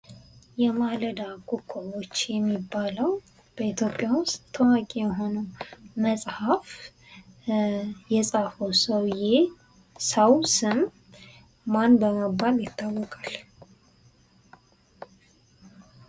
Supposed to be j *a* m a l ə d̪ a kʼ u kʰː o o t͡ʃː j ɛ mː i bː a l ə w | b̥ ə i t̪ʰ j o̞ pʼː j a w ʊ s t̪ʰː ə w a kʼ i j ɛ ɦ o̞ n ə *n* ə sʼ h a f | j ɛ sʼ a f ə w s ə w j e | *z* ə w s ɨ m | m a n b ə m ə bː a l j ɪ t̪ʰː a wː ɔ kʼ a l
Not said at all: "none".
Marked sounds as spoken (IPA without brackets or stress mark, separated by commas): ɛ, m, s